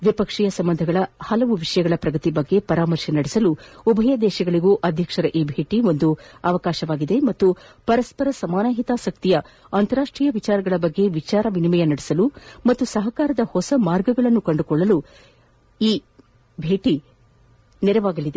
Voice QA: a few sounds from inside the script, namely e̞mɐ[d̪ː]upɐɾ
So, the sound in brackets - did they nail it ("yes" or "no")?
no